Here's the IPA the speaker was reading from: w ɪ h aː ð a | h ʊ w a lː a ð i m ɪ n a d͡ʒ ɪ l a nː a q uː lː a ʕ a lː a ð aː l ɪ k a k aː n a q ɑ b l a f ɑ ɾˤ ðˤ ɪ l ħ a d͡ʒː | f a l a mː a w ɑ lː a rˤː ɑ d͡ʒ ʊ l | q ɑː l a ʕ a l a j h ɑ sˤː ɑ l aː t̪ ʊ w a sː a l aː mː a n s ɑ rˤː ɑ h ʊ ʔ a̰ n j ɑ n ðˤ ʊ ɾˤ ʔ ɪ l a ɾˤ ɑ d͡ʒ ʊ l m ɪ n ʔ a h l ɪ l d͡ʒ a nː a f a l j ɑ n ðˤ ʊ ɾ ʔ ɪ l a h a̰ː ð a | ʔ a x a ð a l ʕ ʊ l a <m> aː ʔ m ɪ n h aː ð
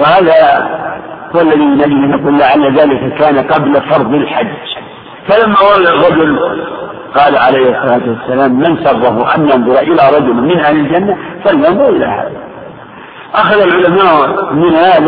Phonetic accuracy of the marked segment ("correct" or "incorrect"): correct